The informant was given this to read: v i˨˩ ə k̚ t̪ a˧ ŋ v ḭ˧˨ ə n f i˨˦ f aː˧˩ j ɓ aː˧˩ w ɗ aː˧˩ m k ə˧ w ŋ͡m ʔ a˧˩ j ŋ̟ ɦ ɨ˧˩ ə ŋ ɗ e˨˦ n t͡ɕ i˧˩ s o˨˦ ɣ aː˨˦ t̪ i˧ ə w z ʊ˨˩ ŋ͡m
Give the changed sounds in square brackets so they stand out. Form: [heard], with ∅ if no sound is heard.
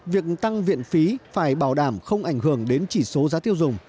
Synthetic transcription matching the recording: v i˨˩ ə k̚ t̪ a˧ ŋ v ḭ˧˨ ə n f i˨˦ f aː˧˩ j ɓ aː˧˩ w ɗ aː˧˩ m [x] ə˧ w ŋ͡m ʔ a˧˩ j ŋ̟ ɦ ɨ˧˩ ə ŋ ɗ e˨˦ n t͡ɕ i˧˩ s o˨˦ [z] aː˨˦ t̪ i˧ ə w z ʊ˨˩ ŋ͡m